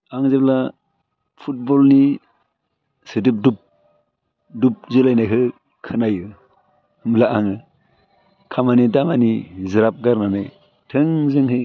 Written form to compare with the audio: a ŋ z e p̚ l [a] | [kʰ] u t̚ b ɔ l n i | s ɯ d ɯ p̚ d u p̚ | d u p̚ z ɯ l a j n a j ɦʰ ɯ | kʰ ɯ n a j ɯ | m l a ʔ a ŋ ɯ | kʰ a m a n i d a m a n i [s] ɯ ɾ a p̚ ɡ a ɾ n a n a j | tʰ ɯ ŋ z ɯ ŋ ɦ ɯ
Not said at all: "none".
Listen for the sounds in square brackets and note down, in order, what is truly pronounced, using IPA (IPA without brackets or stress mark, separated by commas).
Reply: a, pʰ, z